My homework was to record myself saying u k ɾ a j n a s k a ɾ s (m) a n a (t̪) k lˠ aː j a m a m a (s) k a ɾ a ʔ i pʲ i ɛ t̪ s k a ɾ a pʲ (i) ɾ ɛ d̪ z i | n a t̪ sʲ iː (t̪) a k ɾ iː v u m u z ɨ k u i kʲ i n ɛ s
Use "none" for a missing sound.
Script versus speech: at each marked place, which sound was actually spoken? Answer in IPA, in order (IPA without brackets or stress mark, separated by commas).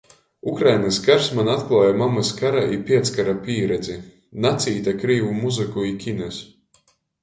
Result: m, t̪, s, iː, t̪